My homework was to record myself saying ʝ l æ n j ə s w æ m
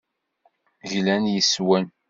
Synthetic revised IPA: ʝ l æ n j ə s w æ n